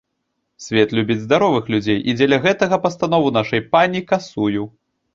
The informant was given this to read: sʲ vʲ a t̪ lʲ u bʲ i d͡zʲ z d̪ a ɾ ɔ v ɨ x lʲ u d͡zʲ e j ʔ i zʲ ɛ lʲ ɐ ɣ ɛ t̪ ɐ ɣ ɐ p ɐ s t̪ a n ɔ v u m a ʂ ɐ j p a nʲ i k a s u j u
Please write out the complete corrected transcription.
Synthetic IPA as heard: sʲ vʲ ɛ t̪ lʲ u bʲ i d͡zʲ z d̪ a ɾ ɔ v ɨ x lʲ u d͡zʲ e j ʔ i d͡zʲ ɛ lʲ ɐ ɣ ɛ t̪ ɐ ɣ ɐ p ɐ s t̪ a n ɔ v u n a ʂ ɐ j p a nʲ i k a s u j u